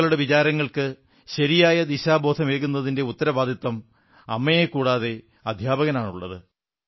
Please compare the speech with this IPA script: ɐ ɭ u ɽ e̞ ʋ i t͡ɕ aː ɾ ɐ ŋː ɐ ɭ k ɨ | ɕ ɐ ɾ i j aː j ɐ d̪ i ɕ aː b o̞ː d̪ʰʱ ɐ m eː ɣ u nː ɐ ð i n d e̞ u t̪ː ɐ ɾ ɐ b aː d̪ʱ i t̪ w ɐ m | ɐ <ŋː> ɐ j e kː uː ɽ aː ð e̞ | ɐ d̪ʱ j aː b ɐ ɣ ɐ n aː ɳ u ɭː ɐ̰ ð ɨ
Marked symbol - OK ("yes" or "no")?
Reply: no